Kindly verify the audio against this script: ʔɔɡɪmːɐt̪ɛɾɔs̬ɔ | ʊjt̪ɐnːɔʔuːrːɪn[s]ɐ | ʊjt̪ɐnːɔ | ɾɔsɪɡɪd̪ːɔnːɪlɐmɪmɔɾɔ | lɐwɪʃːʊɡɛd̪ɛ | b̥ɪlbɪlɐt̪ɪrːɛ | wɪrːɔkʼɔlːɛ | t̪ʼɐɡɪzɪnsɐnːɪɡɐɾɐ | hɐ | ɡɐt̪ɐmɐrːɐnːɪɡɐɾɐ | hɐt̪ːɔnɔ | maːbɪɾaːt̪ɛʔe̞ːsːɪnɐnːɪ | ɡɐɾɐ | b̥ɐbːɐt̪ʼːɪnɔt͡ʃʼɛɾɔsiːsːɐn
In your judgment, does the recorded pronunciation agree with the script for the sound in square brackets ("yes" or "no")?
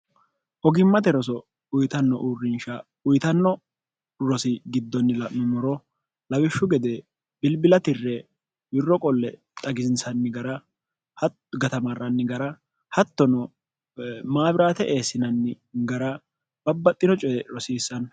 no